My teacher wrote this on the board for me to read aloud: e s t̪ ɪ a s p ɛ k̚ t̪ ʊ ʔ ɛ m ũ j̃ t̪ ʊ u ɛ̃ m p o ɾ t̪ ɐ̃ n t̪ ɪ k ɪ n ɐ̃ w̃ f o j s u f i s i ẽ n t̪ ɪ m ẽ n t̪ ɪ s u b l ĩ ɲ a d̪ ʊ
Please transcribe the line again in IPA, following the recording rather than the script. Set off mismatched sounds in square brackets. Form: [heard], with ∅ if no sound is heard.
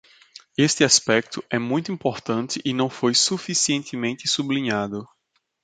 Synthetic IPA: e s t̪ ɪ a s p ɛ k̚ t̪ ʊ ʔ ɛ m ũ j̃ t̪ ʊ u [ĩ] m p o ɾ t̪ ɐ̃ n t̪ ɪ [ʔ] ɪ n ɐ̃ w̃ f o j s u f i s i ẽ n t̪ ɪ m ẽ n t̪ ɪ s u b l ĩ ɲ a d̪ ʊ

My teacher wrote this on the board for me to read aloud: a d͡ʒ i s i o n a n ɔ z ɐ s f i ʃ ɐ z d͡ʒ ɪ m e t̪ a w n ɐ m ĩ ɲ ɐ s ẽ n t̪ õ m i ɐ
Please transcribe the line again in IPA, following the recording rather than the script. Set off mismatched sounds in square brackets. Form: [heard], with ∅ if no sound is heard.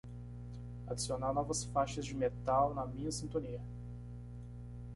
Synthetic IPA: a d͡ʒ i s i o n a n ɔ [v] ɐ s f [a] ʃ ɐ z d͡ʒ ɪ m e t̪ a w n ɐ m ĩ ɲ ɐ s [ĩ] n t̪ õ [n] i ɐ

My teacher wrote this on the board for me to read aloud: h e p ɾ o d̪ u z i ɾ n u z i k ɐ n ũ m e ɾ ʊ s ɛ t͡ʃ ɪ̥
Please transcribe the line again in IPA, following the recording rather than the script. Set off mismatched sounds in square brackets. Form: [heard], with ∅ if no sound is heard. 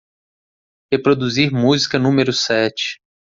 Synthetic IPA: h e p ɾ o d̪ u z i ɾ [m] u z i k ɐ n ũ m e ɾ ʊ s ɛ t͡ʃ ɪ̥

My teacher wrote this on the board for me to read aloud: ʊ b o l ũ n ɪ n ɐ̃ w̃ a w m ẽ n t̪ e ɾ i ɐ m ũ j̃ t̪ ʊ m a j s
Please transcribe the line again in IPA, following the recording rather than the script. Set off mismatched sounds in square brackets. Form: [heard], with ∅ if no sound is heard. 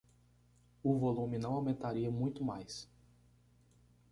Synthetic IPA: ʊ [v] o l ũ [m] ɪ n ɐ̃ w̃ a w m ẽ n t̪ [a] ɾ i ɐ m ũ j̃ t̪ ʊ m a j s

